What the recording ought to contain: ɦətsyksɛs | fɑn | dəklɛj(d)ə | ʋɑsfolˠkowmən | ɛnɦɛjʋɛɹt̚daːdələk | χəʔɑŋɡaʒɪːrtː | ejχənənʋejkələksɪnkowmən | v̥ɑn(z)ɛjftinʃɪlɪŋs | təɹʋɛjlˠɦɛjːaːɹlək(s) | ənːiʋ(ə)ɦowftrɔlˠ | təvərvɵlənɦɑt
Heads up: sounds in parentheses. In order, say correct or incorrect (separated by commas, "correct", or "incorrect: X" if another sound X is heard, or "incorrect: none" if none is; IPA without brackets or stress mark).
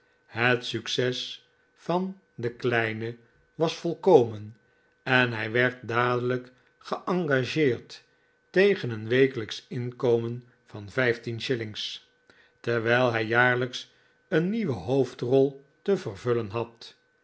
incorrect: n, incorrect: v, correct, correct